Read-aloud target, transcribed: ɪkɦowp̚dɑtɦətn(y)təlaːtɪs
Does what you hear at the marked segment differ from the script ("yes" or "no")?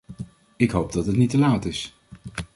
yes